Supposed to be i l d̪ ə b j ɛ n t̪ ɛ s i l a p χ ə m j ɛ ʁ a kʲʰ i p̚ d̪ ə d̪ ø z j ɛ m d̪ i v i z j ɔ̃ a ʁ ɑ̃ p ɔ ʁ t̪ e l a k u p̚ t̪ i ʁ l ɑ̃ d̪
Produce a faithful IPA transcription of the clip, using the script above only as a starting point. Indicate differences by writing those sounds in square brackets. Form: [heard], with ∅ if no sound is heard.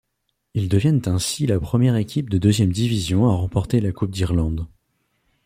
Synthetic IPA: i l d̪ ə [v] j ɛ n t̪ [ɛ̃] s i l a p χ ə m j ɛ ʁ [e] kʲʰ i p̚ d̪ ə d̪ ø z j ɛ m d̪ i v i z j ɔ̃ a ʁ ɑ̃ p ɔ ʁ t̪ e l a k u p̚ [d̪] i ʁ l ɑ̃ d̪